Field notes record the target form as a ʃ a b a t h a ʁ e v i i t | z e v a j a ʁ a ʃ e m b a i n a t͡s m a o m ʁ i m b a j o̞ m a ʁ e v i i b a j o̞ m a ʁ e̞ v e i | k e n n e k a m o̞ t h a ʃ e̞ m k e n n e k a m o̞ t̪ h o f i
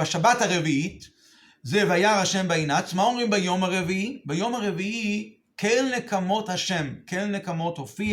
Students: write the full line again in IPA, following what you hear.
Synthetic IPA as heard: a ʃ a b a t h a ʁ e v i i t | z e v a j a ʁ a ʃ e m b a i n a t͡s m a o m ʁ i m b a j o̞ m a ʁ e v i i b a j o̞ m a ʁ e̞ v i i | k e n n e k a m o̞ t h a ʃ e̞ m k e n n e k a m o̞ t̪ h o f i